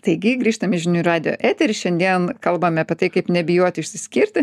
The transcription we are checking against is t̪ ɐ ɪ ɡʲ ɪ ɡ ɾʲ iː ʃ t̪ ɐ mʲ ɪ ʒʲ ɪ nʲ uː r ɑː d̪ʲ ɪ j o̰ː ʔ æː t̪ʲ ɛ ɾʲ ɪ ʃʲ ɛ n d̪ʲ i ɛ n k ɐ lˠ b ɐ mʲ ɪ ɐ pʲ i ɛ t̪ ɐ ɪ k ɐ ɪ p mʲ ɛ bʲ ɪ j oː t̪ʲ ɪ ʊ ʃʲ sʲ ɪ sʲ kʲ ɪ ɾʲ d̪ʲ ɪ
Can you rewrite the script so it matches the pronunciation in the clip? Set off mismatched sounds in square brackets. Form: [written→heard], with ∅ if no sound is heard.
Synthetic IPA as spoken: t̪ ɐ ɪ ɡʲ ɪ ɡ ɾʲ iː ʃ t̪ ɐ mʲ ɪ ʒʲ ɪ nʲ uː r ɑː d̪ʲ ɪ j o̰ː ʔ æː t̪ʲ ɛ ɾʲ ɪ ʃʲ ɛ n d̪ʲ i ɛ n k ɐ lˠ b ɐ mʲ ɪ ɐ pʲ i ɛ t̪ ɐ ɪ k ɐ ɪ p [mʲ→nʲ] ɛ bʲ ɪ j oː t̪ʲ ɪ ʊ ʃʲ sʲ ɪ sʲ kʲ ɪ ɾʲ [d̪ʲ→t̪ʲ] ɪ